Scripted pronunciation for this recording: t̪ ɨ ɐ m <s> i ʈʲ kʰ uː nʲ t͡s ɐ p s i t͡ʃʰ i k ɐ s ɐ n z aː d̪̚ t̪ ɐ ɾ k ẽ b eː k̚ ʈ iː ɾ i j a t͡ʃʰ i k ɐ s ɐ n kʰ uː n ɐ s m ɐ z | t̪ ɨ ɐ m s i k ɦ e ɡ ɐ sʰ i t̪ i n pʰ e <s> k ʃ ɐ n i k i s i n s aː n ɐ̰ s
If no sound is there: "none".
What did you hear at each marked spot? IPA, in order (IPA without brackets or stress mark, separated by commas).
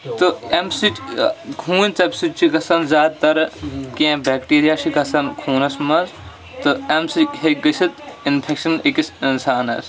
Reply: s, none